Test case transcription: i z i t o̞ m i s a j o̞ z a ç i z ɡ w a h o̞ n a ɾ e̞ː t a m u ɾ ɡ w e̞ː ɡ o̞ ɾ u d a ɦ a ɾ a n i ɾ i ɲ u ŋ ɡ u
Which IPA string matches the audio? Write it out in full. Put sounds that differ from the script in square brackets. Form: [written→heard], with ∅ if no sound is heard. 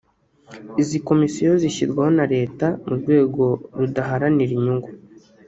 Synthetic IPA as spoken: i z i [t→k] o̞ m i s [a→i] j o̞ z [a→i] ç i z ɡ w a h o̞ n a ɾ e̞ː t a m u ɾ ɡ w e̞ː ɡ o̞ ɾ u d a ɦ a ɾ a n i ɾ i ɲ u ŋ ɡ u